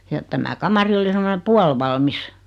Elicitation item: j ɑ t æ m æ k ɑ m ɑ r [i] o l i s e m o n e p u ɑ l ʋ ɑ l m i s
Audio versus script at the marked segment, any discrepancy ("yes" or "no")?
no